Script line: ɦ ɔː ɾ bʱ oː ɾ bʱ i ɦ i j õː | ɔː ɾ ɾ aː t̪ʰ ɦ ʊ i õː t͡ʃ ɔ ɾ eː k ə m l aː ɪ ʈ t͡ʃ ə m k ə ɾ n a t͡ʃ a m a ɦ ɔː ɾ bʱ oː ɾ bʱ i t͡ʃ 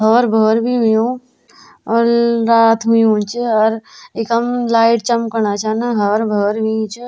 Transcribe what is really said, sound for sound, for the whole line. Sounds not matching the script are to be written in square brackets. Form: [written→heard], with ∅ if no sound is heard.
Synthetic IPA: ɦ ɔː ɾ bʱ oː ɾ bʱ i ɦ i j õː | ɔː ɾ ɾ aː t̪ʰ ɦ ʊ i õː t͡ʃ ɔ ɾ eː k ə m l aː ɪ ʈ t͡ʃ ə m k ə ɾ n a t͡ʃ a [m→n] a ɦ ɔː ɾ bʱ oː ɾ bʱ i t͡ʃ